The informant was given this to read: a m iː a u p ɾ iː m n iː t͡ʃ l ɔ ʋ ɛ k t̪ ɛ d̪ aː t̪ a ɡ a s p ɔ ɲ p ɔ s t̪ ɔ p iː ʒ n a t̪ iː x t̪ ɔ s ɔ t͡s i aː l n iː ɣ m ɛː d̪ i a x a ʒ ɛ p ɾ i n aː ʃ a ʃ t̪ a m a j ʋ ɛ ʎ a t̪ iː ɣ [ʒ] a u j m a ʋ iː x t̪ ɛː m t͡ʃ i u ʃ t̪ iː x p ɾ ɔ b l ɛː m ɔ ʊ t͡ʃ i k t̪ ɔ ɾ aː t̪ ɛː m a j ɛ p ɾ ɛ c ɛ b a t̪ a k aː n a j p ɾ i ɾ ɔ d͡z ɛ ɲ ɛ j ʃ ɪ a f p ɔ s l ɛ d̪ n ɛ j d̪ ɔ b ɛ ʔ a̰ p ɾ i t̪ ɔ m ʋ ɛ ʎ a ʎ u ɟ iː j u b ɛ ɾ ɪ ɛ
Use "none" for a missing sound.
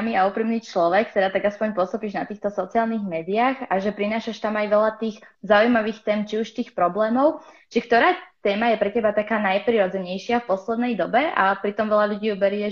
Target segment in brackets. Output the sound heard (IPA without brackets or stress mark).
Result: z